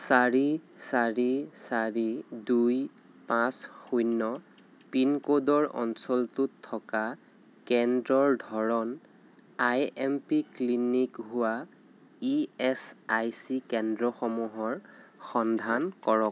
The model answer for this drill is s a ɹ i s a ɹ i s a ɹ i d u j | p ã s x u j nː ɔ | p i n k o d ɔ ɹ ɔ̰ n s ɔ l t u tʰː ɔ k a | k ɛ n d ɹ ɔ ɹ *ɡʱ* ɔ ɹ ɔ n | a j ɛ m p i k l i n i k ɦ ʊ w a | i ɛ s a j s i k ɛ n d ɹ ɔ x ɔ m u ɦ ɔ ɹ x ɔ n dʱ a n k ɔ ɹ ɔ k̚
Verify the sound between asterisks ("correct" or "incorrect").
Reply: incorrect